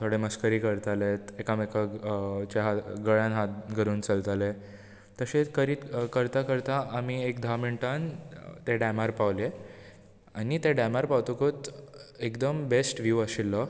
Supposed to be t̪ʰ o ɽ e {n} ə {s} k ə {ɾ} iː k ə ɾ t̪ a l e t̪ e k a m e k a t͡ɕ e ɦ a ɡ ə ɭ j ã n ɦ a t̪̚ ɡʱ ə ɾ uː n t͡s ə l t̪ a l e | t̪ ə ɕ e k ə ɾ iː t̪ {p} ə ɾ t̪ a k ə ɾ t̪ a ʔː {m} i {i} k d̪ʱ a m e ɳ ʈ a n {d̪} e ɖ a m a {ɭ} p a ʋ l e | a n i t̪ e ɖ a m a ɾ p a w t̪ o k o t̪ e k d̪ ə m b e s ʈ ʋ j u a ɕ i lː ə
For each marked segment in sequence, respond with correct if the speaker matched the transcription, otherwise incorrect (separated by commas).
incorrect, correct, correct, incorrect, correct, incorrect, incorrect, incorrect